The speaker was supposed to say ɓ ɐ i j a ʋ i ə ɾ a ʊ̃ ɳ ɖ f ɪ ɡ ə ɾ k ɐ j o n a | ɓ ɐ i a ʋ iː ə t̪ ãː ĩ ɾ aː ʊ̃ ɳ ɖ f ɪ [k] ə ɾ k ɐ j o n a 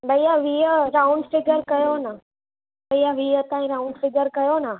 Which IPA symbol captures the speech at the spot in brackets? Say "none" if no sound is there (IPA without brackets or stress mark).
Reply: ɡ